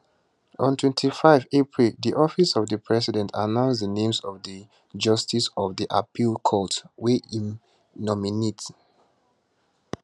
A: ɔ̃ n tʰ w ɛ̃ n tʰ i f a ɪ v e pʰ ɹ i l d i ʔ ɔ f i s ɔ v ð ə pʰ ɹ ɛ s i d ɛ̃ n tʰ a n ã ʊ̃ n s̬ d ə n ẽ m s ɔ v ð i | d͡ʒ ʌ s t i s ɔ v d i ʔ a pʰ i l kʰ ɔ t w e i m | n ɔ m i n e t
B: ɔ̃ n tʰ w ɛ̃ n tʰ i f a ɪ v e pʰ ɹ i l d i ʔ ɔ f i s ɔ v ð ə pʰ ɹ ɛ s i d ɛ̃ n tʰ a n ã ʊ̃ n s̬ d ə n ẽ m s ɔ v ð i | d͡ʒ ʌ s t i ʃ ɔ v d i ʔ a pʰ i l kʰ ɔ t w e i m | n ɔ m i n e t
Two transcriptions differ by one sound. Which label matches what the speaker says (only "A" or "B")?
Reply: A